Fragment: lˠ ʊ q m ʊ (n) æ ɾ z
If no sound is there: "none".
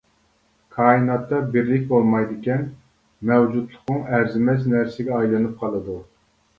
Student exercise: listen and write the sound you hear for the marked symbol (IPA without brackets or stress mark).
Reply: ŋ